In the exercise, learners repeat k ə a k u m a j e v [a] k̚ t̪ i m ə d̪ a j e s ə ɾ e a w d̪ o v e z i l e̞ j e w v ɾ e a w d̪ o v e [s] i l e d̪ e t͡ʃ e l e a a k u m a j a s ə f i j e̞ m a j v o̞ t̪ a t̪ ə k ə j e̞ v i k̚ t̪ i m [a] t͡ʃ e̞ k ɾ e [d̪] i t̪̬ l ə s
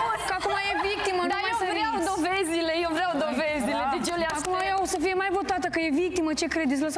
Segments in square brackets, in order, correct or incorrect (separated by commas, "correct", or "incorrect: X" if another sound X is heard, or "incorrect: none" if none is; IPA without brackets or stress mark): incorrect: i, incorrect: z, incorrect: ə, correct